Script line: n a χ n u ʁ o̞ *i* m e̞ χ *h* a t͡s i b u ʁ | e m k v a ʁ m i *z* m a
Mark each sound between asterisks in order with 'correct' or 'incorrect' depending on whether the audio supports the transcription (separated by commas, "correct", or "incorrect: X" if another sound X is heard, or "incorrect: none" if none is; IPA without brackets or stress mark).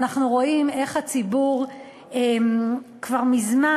correct, correct, correct